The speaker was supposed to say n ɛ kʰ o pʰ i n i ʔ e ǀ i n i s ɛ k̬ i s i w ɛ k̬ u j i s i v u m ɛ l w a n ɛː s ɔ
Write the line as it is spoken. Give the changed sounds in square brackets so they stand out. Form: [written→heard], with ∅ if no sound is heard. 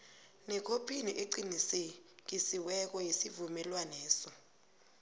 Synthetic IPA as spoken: n ɛ kʰ o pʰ i n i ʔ e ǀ i n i s ɛ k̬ i s i w ɛ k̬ [u→ɔ] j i s i v u m ɛ l w a n ɛː s ɔ